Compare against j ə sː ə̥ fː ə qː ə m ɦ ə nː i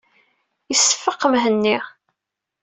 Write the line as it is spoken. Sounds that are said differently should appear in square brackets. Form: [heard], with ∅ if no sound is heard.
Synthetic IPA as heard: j ə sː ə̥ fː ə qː ə m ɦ ə nː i